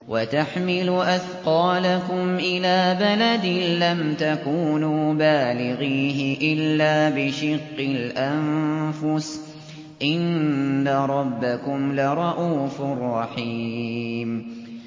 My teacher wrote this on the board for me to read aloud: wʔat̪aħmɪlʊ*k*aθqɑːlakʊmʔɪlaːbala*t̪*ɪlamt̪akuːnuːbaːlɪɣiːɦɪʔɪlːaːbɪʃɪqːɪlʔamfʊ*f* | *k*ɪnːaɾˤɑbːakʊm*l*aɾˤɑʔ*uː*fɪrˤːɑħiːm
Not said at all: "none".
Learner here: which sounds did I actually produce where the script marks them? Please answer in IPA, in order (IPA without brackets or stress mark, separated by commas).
ʔ, d̪, s, ʔ, l, uː